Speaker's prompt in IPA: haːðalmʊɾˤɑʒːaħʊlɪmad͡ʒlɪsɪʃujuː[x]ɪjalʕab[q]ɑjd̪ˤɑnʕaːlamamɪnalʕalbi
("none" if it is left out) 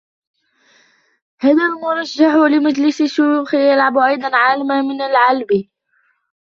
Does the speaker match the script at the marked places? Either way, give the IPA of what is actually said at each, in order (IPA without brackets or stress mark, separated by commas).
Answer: x, ʔ